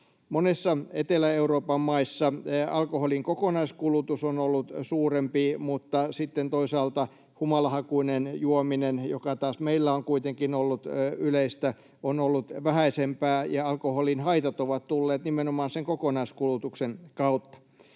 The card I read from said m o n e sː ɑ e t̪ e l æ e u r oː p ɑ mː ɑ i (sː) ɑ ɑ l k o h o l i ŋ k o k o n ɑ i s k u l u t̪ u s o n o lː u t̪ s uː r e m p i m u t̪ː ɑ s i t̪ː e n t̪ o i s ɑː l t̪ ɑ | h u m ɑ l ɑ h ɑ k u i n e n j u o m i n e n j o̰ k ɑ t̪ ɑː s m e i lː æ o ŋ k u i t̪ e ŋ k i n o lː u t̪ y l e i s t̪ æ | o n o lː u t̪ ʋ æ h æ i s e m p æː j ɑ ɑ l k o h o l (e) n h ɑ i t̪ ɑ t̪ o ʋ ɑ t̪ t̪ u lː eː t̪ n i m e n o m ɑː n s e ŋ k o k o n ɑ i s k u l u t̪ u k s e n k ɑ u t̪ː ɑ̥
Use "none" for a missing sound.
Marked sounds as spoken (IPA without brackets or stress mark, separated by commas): sː, i